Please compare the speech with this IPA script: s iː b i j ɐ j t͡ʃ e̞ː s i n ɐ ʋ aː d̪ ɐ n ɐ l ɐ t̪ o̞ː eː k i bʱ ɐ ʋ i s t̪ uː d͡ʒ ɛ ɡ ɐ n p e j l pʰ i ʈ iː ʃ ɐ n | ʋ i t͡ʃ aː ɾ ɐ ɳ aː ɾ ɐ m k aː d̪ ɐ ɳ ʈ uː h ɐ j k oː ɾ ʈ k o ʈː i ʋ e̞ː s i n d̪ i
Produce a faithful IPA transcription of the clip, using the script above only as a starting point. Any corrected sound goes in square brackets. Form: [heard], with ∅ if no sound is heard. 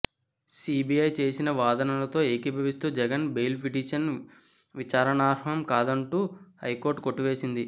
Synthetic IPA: s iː b i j ɐ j t͡ʃ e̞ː s i n ɐ ʋ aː d̪ ɐ n ɐ l ɐ t̪ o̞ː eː k i bʱ ɐ ʋ i s t̪ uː d͡ʒ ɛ ɡ ɐ n [b] e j l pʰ i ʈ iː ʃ ɐ n | ʋ i t͡ʃ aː ɾ ɐ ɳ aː ɾ ɐ m k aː d̪ ɐ ɳ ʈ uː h ɐ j k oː ɾ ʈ k o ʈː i ʋ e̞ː s i n d̪ i

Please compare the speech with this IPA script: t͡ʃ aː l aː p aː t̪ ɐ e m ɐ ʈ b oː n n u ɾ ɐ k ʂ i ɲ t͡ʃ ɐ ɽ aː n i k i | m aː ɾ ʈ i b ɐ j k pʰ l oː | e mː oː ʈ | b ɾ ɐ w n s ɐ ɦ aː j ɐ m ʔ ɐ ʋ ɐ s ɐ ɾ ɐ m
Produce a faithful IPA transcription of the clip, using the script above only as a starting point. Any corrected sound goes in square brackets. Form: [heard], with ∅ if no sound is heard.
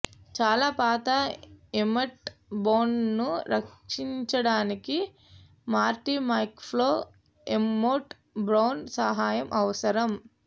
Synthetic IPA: t͡ʃ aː l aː p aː t̪ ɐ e m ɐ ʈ b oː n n u ɾ ɐ k ʂ i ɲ t͡ʃ ɐ ɽ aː n i k i | m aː ɾ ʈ i [m] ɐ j k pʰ l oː | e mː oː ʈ | b ɾ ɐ w n s ɐ ɦ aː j ɐ m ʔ ɐ ʋ ɐ s ɐ ɾ ɐ m

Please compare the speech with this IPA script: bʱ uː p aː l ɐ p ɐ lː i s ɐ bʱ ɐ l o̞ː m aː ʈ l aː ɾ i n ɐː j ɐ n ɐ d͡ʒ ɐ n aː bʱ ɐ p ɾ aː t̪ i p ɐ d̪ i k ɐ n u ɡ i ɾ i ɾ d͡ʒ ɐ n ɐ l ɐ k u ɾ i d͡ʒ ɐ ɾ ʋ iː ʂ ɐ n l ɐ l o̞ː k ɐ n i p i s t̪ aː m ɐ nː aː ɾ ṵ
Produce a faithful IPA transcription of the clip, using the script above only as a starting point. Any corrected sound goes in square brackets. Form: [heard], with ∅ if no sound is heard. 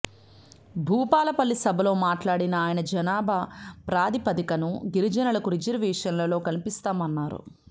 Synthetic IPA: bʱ uː p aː l ɐ p ɐ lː i s ɐ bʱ ɐ l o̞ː m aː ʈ l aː [ɽ] i n ɐː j ɐ n ɐ d͡ʒ ɐ n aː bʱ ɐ p ɾ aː [d̪] i p ɐ d̪ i k ɐ n u ɡ i ɾ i [∅] d͡ʒ ɐ n ɐ l ɐ k u ɾ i d͡ʒ ɐ ɾ ʋ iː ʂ ɐ n l ɐ l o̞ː k ɐ n i p i s t̪ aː m ɐ nː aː ɾ ṵ

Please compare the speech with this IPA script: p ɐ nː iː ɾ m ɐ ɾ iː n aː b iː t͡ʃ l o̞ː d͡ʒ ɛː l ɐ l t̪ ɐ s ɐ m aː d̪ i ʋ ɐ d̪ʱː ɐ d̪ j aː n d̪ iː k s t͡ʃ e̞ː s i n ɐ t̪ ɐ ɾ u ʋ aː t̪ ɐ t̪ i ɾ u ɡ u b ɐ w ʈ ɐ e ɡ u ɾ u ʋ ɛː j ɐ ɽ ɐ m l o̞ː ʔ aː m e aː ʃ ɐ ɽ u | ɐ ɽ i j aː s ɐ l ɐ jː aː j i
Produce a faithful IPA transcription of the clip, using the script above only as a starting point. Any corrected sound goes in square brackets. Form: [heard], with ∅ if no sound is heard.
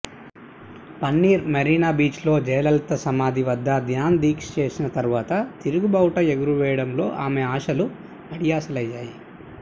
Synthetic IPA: p ɐ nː iː ɾ m ɐ ɾ iː n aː b iː t͡ʃ l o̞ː d͡ʒ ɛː l ɐ l t̪ ɐ s ɐ m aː d̪ i ʋ ɐ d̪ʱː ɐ d̪ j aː n d̪ iː k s t͡ʃ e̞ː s i n ɐ t̪ ɐ ɾ u ʋ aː t̪ ɐ t̪ i ɾ u ɡ u b ɐ w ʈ ɐ e ɡ u ɾ u ʋ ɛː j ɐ ɽ ɐ m l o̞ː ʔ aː m e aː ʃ ɐ [l] u | ɐ ɽ i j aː s ɐ l ɐ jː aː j i

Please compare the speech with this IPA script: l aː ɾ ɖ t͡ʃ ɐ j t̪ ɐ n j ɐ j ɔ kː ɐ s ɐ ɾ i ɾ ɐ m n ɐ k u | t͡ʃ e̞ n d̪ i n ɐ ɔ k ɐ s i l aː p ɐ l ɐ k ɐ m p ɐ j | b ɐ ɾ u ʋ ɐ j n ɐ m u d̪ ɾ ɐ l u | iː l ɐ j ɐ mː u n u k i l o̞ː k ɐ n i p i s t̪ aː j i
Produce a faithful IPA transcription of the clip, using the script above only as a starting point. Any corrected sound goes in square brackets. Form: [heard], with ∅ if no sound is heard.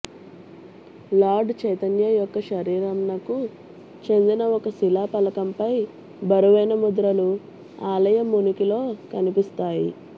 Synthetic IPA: l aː ɾ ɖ t͡ʃ ɐ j t̪ ɐ n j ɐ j ɔ kː ɐ [ʃ] ɐ ɾ [iː] ɾ ɐ m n ɐ k u | t͡ʃ e̞ n d̪ i n ɐ ɔ k ɐ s i l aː p ɐ l ɐ k ɐ m p ɐ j | b ɐ ɾ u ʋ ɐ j n ɐ m u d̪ ɾ ɐ l u | [aː] l ɐ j ɐ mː u n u k i l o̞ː k ɐ n i p i s t̪ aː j i

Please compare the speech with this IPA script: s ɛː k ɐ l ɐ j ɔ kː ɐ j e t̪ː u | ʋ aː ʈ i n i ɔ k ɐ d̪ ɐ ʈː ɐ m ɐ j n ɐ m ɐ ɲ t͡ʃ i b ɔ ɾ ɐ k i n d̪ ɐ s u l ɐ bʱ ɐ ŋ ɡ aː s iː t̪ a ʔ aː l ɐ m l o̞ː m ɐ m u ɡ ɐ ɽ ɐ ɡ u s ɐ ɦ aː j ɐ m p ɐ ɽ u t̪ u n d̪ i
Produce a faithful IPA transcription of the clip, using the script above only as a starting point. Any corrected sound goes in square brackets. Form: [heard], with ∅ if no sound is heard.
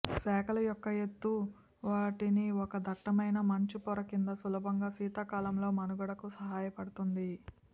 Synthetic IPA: s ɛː k ɐ l ɐ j ɔ kː ɐ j e t̪ː u | ʋ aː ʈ i n i ɔ k ɐ d̪ ɐ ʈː ɐ m ɐ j n ɐ m ɐ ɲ t͡ʃ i [p] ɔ ɾ ɐ k i n d̪ ɐ s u l ɐ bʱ ɐ ŋ ɡ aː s iː t̪ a [k] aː l ɐ m l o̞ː m ɐ [n] u ɡ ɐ ɽ ɐ [k] u s ɐ ɦ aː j ɐ [∅] p ɐ ɽ u t̪ u n d̪ i

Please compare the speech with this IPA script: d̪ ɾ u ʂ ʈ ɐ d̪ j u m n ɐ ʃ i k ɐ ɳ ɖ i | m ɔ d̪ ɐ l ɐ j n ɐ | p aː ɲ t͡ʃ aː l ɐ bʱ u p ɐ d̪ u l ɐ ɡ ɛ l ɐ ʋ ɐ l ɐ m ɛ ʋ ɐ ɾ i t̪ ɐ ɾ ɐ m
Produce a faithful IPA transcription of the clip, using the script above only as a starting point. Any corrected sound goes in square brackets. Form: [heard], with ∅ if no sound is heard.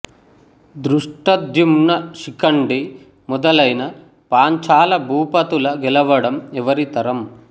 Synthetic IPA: d̪ ɾ u ʂ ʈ ɐ d̪ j u m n ɐ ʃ i k ɐ ɳ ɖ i | m ɔ d̪ ɐ l ɐ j n ɐ | p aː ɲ t͡ʃ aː l ɐ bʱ [uː] p ɐ [t̪] u l ɐ ɡ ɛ l ɐ ʋ ɐ [ɽ] ɐ m ɛ ʋ ɐ ɾ i t̪ ɐ ɾ ɐ m

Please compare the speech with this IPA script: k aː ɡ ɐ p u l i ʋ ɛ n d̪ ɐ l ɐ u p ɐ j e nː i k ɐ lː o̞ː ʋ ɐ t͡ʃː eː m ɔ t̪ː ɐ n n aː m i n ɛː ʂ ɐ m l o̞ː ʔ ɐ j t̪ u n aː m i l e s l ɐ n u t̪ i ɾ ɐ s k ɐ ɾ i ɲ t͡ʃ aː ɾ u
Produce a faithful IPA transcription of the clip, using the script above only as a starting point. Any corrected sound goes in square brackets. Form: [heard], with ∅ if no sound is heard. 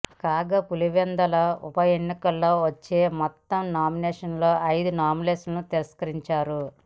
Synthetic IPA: k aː ɡ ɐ p u l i ʋ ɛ n d̪ ɐ l ɐ u p ɐ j e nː i k ɐ lː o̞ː ʋ ɐ t͡ʃː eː m ɔ t̪ː ɐ [m] n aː m i n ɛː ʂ ɐ [n] l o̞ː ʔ ɐ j [d̪] u n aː m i l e s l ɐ n u t̪ i ɾ ɐ s k ɐ ɾ i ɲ t͡ʃ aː ɾ u

